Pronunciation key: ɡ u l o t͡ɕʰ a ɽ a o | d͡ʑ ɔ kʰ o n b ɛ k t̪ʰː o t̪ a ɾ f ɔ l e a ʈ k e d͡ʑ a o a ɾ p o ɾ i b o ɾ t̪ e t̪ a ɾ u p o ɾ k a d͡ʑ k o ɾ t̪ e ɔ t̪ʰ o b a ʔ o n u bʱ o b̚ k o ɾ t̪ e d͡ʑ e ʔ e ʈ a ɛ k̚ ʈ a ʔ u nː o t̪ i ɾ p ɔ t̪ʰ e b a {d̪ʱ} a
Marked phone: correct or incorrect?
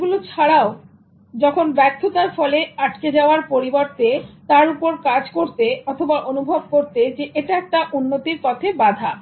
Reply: correct